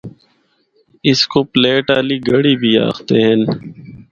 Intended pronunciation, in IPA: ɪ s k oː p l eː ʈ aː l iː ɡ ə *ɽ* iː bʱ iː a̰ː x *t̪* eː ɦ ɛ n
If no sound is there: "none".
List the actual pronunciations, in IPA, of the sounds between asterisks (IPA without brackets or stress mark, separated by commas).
ɽ, t̪